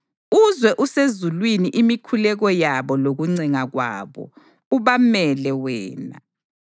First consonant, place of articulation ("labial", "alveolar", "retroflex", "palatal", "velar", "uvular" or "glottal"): alveolar